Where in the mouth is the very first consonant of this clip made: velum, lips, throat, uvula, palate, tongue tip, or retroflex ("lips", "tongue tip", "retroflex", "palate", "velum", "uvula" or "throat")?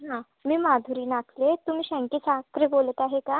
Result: throat